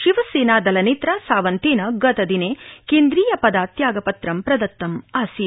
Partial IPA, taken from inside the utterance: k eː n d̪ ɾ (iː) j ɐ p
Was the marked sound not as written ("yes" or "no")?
no